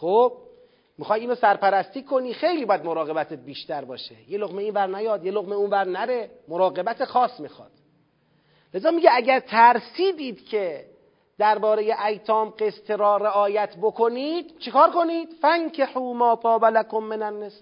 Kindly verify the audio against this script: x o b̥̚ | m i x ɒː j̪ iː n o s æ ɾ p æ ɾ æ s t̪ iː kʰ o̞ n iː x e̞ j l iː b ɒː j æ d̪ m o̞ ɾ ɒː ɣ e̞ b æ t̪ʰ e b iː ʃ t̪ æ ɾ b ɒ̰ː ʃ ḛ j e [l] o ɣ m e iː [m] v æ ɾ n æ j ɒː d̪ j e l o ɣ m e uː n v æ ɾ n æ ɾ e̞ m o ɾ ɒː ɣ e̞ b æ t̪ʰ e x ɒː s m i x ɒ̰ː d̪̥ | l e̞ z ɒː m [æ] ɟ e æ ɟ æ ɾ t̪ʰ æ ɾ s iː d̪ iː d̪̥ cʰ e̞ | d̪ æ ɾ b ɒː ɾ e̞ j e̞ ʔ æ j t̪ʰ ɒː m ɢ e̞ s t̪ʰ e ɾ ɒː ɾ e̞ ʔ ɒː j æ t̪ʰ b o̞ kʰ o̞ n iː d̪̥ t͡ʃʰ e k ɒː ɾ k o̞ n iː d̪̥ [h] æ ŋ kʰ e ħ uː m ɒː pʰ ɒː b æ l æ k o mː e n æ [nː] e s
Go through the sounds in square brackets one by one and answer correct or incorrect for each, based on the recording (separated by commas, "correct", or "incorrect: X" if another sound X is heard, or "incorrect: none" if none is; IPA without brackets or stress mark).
correct, incorrect: n, incorrect: i, incorrect: f, correct